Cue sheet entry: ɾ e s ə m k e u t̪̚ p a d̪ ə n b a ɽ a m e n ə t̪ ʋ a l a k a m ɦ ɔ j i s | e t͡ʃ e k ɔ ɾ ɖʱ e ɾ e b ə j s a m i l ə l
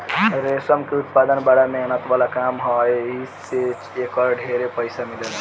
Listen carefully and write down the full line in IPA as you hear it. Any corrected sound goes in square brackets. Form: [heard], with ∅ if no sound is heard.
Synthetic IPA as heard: ɾ e s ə m k e u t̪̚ p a d̪ ə n b a ɽ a m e n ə t̪ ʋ a l a k a m ɦ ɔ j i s | e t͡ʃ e k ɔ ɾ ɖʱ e ɾ e [p] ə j s a m i l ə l